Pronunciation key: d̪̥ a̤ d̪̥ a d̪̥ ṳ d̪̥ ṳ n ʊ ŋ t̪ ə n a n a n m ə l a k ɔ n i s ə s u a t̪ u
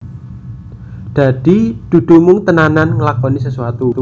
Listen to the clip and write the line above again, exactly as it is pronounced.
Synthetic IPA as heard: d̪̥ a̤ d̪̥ i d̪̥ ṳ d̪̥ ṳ m ʊ ŋ t̪ ə n a n a n ŋ ə l a k ɔ n i s ə s u a t̪ u